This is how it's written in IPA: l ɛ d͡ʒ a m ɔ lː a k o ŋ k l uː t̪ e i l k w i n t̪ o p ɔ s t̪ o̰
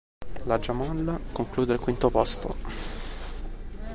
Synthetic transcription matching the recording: l a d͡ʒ a m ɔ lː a k o ŋ k l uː d̪ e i l k w i n t̪ o p ɔ s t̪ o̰